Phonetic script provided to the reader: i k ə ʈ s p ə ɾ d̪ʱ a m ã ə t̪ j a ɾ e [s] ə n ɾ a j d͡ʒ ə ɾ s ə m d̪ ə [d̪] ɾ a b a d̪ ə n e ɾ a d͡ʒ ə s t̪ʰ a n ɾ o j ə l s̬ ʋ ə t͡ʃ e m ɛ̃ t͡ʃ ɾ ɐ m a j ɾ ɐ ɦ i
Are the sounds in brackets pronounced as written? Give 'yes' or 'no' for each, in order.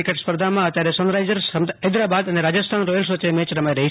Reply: yes, yes

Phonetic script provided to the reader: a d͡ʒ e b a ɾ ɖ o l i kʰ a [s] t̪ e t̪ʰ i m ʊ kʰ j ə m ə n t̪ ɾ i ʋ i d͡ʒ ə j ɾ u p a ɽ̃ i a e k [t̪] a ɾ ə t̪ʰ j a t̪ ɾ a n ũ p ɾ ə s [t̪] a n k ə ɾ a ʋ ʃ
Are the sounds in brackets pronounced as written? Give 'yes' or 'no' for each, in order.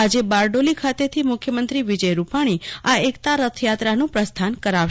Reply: no, yes, no

